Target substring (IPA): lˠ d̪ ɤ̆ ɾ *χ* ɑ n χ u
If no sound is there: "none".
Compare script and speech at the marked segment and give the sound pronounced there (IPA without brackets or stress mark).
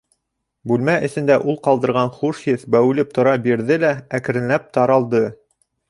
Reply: ʁ